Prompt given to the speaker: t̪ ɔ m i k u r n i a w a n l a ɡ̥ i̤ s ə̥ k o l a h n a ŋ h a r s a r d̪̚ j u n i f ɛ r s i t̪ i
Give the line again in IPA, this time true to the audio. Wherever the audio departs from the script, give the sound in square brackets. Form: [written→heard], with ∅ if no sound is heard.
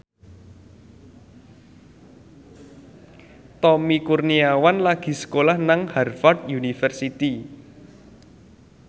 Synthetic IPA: t̪ ɔ m i k u r n i a w a n l a ɡ̥ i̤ s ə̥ k o l a h n a ŋ h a r [s→f] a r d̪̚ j u n i f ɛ r s i t̪ i